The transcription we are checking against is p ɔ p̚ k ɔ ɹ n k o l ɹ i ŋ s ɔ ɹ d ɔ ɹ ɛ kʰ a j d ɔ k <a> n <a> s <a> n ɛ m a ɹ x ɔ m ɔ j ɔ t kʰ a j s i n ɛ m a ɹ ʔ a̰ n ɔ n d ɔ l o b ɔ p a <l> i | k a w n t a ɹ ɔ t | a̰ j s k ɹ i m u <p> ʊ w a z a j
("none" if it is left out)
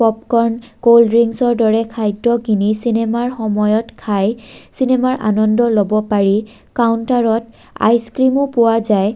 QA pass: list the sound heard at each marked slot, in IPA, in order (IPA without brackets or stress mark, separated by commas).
i, i, i, ɹ, p